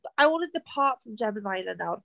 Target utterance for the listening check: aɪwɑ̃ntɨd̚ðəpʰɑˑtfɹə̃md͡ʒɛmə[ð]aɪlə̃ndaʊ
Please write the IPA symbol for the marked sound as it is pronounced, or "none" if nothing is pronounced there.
z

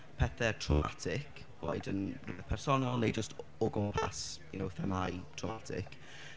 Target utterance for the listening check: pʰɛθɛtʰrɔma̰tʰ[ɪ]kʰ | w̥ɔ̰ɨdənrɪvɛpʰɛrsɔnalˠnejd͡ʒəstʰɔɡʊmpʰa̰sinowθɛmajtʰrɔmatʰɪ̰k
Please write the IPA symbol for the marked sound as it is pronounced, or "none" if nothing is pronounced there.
ɪ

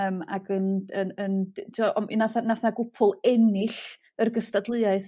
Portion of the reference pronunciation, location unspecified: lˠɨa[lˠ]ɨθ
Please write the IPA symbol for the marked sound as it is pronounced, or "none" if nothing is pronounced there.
none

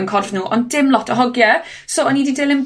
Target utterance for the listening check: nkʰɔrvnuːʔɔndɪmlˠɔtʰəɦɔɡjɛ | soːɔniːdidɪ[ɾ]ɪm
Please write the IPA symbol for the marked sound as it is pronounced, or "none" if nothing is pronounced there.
l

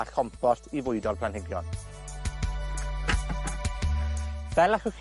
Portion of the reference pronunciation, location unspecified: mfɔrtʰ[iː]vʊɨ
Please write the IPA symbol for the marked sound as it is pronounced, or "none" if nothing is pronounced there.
i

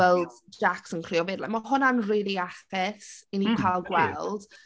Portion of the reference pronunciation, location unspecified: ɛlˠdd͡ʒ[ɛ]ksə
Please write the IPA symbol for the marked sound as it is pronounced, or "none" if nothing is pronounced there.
a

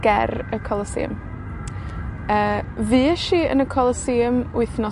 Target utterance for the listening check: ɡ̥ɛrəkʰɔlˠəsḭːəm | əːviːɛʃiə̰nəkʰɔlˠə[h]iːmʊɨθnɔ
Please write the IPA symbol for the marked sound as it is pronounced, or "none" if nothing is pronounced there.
s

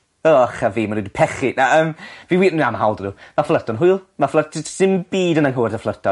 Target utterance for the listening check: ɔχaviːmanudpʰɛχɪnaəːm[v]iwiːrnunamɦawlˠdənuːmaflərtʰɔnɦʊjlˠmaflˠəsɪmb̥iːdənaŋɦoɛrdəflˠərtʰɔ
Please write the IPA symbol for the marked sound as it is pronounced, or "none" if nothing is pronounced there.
v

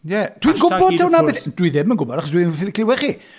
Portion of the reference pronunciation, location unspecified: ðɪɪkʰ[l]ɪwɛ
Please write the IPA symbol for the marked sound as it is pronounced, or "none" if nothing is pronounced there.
l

